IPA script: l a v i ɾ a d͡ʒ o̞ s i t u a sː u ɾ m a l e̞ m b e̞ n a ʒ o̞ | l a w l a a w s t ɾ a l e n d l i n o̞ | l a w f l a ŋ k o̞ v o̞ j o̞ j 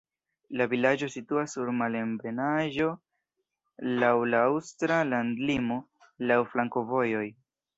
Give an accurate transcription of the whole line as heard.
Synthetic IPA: l a v i l a d͡ʒ o̞ s i t u a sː u ɾ m a l e̞ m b e̞ n a ʒ o̞ | l a w l a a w s t ɾ a l a n d l i m o̞ | l a w f l a ŋ k o̞ v o̞ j o̞ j